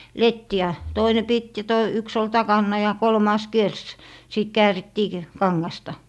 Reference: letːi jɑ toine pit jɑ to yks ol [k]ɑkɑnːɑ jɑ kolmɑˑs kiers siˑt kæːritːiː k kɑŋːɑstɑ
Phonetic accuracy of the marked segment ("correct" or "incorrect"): incorrect